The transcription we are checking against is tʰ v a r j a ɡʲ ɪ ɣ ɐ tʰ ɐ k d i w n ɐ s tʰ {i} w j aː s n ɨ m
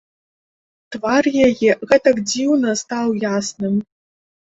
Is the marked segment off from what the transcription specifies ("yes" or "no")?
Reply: yes